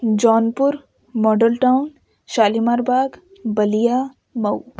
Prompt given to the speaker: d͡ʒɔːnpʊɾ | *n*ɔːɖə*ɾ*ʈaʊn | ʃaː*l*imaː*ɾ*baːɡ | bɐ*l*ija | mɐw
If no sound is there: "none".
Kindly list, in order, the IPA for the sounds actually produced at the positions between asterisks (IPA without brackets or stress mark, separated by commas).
m, l, l, ɾ, l